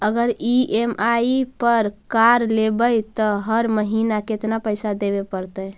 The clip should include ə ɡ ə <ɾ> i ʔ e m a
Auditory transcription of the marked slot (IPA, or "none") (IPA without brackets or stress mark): ɾ